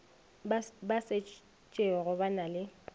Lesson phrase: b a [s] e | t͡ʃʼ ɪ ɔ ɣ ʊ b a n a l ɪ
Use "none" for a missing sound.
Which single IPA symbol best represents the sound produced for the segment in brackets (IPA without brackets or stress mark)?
s